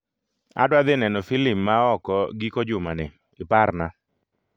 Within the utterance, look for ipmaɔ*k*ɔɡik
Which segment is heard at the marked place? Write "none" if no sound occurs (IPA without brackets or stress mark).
k